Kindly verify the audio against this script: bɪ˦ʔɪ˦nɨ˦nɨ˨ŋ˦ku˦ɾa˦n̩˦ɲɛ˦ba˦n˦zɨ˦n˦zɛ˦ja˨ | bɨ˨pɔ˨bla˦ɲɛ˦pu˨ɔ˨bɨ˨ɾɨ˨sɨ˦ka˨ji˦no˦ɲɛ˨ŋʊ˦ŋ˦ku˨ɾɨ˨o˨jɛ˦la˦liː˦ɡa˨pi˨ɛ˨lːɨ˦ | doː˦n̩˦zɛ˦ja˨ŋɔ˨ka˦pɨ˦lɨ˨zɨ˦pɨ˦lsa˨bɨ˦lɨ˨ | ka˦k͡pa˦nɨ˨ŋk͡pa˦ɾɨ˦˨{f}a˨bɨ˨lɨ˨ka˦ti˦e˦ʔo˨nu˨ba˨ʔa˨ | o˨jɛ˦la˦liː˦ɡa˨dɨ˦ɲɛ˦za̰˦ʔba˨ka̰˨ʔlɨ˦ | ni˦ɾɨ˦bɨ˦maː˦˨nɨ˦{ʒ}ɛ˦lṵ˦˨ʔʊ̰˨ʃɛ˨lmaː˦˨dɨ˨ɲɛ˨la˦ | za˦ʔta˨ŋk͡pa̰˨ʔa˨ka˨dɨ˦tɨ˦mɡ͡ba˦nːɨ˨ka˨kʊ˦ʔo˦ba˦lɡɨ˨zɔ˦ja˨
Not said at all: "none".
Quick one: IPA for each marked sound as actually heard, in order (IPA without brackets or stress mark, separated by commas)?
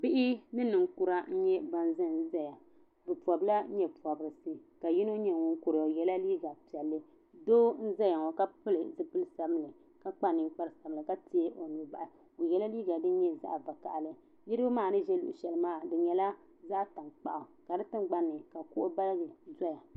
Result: s, ʒ